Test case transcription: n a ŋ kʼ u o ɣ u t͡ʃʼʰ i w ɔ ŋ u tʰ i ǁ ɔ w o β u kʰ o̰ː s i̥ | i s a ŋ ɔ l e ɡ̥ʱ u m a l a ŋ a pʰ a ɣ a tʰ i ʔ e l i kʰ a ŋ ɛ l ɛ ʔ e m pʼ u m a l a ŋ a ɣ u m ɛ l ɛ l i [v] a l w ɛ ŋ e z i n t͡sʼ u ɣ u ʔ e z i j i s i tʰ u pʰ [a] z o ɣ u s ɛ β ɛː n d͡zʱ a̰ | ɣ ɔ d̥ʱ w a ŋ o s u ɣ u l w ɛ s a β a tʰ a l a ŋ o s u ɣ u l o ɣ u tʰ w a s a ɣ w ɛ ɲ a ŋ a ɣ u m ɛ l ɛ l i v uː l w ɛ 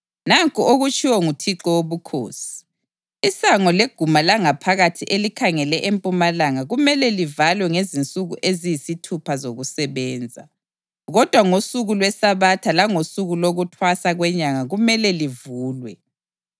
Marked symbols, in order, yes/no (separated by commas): yes, yes